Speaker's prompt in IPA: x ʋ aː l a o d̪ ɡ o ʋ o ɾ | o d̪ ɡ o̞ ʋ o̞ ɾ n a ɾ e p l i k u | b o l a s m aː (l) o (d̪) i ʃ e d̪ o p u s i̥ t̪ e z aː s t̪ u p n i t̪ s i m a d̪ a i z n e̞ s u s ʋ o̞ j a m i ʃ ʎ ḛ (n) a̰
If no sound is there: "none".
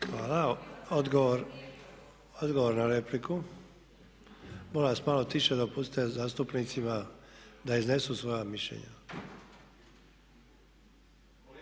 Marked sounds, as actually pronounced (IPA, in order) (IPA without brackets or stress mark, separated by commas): l, t̪, ɲ